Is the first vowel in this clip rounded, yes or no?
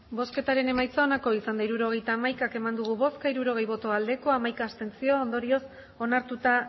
yes